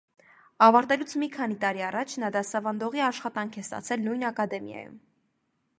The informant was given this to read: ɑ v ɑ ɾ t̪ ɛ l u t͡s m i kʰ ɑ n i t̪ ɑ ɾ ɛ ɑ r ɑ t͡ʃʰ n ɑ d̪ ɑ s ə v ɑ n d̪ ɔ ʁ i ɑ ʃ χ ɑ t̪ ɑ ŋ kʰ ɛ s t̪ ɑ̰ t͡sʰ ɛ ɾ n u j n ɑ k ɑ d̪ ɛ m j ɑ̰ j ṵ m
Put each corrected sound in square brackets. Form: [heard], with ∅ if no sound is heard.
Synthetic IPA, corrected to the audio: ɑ v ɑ ɾ t̪ ɛ l u [t͡sʰ] m i kʰ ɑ n i t̪ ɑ ɾ [i] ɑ r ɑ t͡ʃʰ n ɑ d̪ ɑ s [ɑ] v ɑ n d̪ ɔ ʁ i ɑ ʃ χ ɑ t̪ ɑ ŋ kʰ ɛ s t̪ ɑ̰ t͡sʰ ɛ [l] n u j n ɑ k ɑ d̪ ɛ m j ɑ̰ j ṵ m